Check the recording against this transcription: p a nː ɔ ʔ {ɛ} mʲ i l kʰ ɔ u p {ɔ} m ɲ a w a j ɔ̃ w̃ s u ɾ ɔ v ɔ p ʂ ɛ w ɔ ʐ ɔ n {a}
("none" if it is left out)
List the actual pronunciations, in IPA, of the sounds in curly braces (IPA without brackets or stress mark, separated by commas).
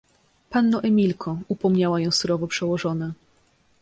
ɛ, ɔ, a